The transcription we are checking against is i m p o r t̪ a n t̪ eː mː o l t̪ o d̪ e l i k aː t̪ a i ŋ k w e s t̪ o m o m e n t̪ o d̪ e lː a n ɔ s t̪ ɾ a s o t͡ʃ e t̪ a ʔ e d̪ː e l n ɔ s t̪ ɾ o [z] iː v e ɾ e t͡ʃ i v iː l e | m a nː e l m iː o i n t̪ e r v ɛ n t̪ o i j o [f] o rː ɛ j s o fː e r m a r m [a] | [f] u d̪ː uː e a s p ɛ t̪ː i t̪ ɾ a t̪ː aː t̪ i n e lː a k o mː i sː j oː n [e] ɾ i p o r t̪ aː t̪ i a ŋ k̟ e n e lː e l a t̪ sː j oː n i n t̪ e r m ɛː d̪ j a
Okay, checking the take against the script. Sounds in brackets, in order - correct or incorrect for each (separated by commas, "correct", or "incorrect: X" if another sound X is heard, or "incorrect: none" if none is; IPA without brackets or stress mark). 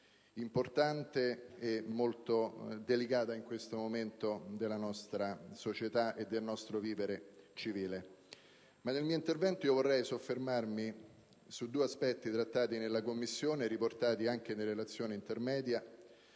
incorrect: v, incorrect: v, incorrect: i, incorrect: s, correct